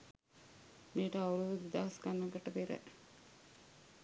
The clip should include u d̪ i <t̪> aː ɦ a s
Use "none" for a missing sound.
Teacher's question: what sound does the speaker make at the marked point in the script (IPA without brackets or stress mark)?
d̪